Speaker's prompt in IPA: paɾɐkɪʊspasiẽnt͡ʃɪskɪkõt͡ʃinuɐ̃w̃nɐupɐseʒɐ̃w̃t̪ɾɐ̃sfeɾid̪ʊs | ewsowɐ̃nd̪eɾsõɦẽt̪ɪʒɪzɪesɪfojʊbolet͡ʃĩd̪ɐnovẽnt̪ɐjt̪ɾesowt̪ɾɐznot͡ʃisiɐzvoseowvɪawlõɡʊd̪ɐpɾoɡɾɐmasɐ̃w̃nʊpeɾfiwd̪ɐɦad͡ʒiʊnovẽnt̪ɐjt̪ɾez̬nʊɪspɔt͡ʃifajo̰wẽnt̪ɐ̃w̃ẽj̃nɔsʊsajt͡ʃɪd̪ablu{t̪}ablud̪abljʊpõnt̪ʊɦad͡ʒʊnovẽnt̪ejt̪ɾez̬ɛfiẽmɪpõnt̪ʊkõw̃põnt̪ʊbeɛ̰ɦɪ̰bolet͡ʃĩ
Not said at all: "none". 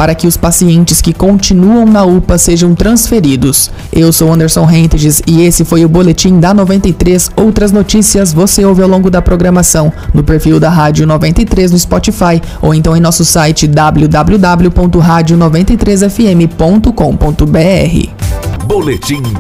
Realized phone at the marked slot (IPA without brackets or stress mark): d̪